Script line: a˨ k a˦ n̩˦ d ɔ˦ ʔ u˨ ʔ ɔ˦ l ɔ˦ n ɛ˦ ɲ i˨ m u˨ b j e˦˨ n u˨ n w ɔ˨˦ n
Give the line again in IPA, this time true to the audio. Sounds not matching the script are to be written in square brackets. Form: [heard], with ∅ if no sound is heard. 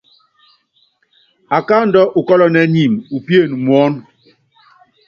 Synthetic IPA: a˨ k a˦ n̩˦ d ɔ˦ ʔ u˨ [k] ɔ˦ l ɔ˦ n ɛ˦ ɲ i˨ m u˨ [p] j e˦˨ n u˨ [m] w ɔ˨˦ n